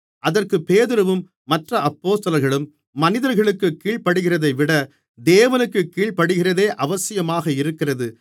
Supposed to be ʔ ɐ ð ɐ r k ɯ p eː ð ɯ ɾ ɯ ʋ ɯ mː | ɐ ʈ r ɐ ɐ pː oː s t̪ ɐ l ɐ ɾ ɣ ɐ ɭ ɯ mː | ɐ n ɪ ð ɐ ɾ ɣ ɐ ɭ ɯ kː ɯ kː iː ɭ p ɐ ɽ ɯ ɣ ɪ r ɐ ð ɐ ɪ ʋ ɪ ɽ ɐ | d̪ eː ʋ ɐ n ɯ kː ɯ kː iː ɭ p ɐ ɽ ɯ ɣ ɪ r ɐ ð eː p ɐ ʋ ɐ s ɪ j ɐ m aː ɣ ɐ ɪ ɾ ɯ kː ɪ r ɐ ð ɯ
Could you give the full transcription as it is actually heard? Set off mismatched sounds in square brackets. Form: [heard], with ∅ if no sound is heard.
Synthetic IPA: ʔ ɐ ð ɐ r k ɯ p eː ð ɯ ɾ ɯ ʋ ɯ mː | ɐ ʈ r ɐ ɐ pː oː s t̪ ɐ l ɐ ɾ ɣ ɐ ɭ ɯ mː | ɐ n ɪ ð ɐ ɾ ɣ ɐ ɭ ɯ kː ɯ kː iː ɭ p ɐ ɽ ɯ ɣ ɪ r ɐ ð ɐ ɪ ʋ ɪ ɽ ɐ | d̪ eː ʋ ɐ n ɯ kː ɯ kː iː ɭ p ɐ ɽ ɯ ɣ ɪ r ɐ ð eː [ʔ] ɐ ʋ ɐ s ɪ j ɐ m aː ɣ ɐ ɪ ɾ ɯ kː ɪ r ɐ ð ɯ

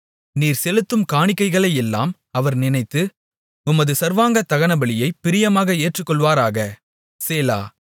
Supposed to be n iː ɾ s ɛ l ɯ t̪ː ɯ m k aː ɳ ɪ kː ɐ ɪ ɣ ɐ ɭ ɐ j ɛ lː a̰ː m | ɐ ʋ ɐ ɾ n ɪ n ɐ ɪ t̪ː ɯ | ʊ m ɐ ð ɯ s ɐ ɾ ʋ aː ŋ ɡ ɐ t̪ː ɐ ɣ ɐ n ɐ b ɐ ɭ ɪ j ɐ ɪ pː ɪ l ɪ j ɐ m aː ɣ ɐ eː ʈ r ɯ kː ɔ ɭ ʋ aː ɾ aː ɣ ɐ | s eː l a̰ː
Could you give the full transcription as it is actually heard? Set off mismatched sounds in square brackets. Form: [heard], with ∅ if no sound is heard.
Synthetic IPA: n iː ɾ s ɛ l ɯ t̪ː ɯ m k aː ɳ ɪ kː ɐ ɪ ɣ ɐ ɭ ɐ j ɛ lː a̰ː m | ɐ ʋ ɐ ɾ n ɪ n ɐ ɪ t̪ː ɯ | ʊ m ɐ ð ɯ s ɐ ɾ ʋ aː ŋ ɡ ɐ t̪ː ɐ ɣ ɐ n ɐ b ɐ ɭ ɪ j ɐ ɪ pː ɪ [ɾ] ɪ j ɐ m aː ɣ ɐ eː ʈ r ɯ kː ɔ ɭ ʋ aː ɾ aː ɣ ɐ | s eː l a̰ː

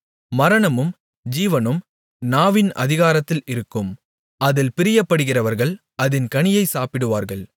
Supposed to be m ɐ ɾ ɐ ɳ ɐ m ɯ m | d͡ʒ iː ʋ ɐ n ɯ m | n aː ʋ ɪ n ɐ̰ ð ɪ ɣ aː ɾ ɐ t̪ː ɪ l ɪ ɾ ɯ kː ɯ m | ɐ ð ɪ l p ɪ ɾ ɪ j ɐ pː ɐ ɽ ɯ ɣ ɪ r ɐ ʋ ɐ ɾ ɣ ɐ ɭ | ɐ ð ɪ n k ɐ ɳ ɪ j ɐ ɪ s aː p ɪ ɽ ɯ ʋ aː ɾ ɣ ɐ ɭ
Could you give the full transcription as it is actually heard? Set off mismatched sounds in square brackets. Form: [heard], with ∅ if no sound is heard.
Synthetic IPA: m ɐ ɾ ɐ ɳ ɐ m ɯ m | d͡ʒ iː ʋ ɐ n ɯ m | n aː ʋ ɪ n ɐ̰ ð ɪ ɣ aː ɾ ɐ t̪ː ɪ l ɪ ɾ ɯ kː ɯ m | ɐ ð ɪ l p ɪ ɾ ɪ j ɐ pː ɐ ɽ ɯ ɣ ɪ r ɐ ʋ ɐ ɾ ɣ ɐ ɭ | ɐ ð ɪ n k ɐ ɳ ɪ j ɐ ɪ s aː p ɪ ɽ ɯ ʋ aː ɾ ɣ ɐ ɭ

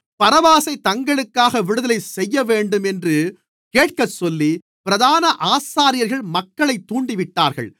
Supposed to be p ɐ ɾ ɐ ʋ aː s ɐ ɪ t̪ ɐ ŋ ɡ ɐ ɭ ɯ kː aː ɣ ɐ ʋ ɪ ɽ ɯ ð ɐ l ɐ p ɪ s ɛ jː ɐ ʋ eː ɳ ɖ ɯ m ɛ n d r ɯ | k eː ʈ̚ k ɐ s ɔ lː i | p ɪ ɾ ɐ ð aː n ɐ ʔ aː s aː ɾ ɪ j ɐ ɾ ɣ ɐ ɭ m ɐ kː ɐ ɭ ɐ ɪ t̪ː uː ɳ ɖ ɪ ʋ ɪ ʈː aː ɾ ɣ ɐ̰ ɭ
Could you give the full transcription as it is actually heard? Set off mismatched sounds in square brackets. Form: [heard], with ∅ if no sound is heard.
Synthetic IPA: p ɐ ɾ ɐ ʋ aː s ɐ ɪ t̪ ɐ ŋ ɡ ɐ ɭ ɯ kː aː ɣ ɐ ʋ ɪ ɽ ɯ ð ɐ l ɐ [∅] ɪ s ɛ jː ɐ ʋ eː ɳ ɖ ɯ m ɛ n d r ɯ | k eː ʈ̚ k ɐ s ɔ lː i | p ɪ ɾ ɐ ð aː n ɐ ʔ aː s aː ɾ ɪ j ɐ ɾ ɣ ɐ ɭ m ɐ kː ɐ ɭ ɐ ɪ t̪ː uː ɳ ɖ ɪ ʋ ɪ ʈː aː ɾ ɣ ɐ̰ ɭ

